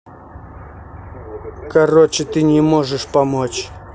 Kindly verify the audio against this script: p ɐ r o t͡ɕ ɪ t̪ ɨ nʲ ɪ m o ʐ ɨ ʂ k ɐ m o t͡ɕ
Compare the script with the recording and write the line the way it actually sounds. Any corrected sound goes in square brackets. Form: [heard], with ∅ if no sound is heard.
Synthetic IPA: [k] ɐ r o t͡ɕ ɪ t̪ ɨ nʲ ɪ m o ʐ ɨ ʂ [p] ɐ m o t͡ɕ